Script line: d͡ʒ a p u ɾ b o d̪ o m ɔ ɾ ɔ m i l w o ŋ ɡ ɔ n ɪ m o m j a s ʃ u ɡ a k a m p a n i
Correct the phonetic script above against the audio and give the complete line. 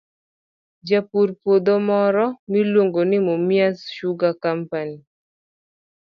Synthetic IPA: d͡ʒ a p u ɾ p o d̪ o m ɔ ɾ ɔ m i l w o ŋ ɡ o n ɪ m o m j a s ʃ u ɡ a k a m p a n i